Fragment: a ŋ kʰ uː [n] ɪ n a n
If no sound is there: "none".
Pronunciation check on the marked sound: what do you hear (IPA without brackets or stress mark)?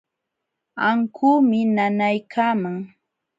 m